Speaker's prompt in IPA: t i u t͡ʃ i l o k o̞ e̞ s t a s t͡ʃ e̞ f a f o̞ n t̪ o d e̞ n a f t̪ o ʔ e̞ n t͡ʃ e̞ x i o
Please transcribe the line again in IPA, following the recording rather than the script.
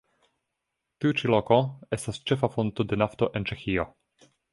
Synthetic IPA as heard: t i u t͡ʃ i l o k o̞ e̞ s t a s t͡ʃ e̞ f a f o̞ n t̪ o d e̞ n a f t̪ o ʔ e̞ n t͡ʃ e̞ x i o